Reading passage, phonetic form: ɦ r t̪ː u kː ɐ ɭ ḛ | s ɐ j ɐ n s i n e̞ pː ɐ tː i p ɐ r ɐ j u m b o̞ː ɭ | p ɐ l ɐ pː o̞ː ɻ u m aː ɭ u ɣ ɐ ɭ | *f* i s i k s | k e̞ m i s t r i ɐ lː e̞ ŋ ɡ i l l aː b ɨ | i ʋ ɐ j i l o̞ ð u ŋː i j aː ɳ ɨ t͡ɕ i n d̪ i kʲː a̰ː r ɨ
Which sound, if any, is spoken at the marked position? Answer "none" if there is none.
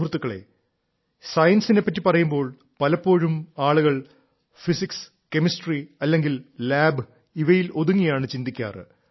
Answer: f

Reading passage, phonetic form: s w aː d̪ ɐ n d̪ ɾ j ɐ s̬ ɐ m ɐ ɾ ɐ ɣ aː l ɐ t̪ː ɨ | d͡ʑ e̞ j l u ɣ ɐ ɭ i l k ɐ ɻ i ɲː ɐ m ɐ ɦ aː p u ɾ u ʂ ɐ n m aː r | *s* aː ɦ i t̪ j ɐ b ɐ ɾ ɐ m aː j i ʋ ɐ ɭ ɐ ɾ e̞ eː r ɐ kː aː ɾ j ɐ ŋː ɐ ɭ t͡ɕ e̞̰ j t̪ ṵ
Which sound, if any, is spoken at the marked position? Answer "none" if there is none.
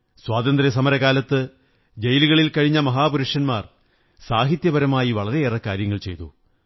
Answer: s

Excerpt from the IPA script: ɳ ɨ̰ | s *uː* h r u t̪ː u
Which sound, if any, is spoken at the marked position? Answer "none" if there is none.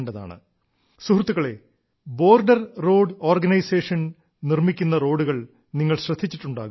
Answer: u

